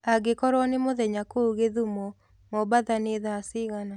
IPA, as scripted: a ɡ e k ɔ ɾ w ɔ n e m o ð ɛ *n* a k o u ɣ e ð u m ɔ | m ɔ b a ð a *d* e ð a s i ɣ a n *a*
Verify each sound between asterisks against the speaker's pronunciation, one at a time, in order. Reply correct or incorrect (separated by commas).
incorrect, incorrect, correct